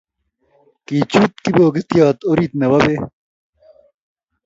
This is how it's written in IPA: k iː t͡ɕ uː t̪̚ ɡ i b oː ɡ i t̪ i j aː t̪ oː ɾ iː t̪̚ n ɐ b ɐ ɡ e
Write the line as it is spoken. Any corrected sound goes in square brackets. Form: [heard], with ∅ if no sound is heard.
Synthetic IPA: k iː t͡ɕ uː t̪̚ [k] i b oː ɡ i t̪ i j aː t̪ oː ɾ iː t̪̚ n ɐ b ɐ [b] e